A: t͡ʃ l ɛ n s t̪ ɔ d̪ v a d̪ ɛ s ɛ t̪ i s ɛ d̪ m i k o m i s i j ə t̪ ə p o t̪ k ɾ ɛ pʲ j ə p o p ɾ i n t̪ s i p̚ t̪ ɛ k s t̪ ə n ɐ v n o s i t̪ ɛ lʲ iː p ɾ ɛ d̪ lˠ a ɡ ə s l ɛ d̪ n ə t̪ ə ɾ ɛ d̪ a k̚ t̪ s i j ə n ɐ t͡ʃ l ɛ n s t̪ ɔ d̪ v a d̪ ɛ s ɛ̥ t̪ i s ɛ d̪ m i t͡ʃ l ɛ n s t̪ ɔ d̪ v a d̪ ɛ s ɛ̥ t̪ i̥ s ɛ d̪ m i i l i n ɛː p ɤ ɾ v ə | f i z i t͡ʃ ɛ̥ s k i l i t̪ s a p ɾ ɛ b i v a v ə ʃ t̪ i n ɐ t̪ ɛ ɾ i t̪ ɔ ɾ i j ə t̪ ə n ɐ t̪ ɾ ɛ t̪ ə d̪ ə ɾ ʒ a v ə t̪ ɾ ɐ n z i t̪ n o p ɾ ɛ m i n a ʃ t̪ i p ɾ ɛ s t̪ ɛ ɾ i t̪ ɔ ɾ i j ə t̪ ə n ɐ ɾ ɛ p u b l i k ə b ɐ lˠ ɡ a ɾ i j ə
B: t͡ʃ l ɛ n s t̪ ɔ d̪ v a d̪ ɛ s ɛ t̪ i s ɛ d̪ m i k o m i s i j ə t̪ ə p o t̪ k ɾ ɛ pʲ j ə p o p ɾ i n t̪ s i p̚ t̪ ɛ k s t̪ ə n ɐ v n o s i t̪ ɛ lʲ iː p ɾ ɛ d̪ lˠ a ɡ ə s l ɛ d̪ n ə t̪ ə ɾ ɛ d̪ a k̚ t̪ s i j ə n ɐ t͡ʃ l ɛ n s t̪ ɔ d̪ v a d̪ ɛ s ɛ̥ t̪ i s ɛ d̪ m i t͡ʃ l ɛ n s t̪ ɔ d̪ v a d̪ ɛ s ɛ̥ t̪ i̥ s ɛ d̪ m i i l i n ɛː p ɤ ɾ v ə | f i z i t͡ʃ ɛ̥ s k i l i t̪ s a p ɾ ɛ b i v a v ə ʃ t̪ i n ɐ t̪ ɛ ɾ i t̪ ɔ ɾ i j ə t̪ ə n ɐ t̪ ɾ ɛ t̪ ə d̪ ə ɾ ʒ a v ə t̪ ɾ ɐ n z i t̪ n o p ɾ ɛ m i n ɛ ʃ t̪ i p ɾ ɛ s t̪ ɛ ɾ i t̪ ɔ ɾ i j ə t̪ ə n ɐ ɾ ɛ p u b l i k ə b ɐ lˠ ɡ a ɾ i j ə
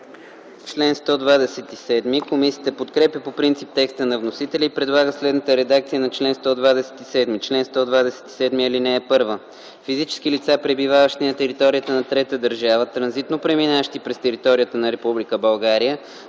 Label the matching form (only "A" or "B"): A